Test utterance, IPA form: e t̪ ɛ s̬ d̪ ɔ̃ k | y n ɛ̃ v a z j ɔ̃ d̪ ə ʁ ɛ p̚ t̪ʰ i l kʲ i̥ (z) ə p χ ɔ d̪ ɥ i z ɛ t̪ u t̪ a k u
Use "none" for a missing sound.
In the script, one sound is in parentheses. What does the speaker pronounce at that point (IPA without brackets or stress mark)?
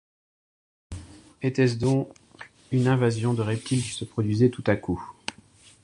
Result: s